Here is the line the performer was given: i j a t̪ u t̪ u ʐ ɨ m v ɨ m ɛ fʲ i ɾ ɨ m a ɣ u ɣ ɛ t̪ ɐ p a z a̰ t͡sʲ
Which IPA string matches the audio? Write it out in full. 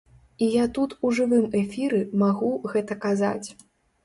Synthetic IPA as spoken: i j a t̪ u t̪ u ʐ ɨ v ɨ m ɛ fʲ i ɾ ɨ m a ɣ u ɣ ɛ t̪ ɐ k a z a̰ t͡sʲ